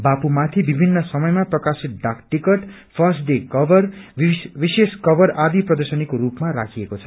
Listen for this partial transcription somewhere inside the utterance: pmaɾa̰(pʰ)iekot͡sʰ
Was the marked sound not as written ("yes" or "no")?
yes